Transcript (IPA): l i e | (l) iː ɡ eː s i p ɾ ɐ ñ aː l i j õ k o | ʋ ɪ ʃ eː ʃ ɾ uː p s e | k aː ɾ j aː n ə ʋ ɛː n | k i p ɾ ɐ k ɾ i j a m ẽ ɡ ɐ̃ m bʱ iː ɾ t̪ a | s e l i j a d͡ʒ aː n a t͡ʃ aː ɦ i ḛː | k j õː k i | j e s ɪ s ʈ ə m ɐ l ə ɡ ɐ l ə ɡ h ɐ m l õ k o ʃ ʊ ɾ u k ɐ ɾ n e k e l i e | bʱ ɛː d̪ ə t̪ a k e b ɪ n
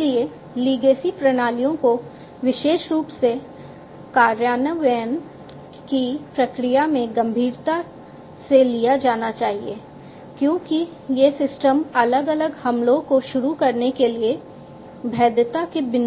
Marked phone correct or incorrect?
correct